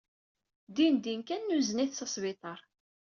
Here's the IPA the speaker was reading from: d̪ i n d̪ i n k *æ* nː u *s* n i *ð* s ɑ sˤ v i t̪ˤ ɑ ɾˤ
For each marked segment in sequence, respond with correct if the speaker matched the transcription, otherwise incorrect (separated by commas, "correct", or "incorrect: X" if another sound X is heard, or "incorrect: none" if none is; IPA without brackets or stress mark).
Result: correct, incorrect: z, incorrect: θ